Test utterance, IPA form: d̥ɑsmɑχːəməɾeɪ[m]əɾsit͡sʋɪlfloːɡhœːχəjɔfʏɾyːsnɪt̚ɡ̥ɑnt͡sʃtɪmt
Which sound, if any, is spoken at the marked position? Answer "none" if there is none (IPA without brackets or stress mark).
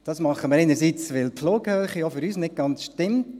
n